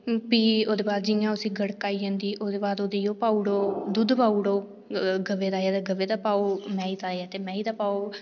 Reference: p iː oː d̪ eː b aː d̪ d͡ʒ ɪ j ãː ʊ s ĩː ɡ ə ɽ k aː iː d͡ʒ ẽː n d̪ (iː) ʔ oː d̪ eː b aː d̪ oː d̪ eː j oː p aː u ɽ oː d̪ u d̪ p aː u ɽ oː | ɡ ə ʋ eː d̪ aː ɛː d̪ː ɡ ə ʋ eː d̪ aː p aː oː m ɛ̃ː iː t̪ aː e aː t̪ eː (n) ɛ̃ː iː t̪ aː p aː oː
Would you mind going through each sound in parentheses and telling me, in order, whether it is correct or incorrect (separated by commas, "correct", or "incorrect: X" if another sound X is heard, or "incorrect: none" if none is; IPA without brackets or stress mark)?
correct, incorrect: m